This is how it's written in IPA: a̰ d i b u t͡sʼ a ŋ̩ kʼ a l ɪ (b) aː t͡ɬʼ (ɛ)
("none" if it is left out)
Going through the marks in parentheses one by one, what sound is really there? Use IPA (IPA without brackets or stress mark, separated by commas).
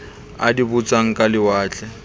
w, ɛ